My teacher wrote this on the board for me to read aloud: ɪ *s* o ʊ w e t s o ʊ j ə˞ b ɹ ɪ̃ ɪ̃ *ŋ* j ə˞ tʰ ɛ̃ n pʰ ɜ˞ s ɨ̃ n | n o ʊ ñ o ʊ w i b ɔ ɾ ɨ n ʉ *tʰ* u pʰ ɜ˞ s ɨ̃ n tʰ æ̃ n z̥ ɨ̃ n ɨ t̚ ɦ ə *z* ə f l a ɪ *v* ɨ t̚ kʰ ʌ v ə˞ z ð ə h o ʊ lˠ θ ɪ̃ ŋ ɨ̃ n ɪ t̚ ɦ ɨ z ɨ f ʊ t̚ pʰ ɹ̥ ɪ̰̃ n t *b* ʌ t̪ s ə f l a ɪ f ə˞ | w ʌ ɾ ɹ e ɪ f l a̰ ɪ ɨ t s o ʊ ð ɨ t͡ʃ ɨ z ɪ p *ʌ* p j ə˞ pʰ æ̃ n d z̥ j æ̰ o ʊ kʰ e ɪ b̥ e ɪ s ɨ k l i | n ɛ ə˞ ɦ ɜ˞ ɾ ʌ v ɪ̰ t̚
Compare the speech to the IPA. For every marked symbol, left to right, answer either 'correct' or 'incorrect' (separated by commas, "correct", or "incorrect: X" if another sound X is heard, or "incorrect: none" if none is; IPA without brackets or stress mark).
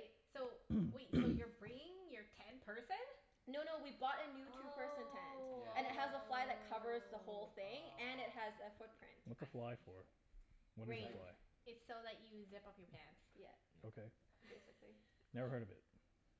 correct, correct, correct, correct, incorrect: ð, incorrect: w, correct